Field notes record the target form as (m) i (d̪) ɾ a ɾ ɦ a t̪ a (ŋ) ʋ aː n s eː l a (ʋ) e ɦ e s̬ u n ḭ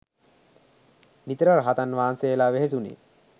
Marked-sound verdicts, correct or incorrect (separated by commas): incorrect, incorrect, incorrect, correct